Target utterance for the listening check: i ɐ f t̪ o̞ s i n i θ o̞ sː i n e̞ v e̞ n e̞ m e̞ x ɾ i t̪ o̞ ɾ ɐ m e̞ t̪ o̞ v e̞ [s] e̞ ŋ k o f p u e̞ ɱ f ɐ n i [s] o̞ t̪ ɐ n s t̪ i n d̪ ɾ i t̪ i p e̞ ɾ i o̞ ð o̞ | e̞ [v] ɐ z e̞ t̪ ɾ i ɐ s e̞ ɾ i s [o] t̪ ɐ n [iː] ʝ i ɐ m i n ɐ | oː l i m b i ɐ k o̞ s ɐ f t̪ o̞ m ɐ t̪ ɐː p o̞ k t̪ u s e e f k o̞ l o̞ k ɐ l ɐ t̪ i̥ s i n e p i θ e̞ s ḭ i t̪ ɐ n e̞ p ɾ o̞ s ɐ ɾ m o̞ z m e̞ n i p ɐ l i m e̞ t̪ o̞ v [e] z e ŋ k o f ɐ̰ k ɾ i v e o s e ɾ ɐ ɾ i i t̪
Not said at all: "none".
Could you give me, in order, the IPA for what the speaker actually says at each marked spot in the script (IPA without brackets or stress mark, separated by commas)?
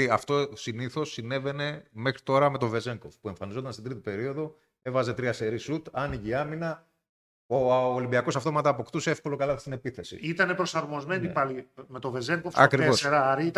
z, z, v, u, i, e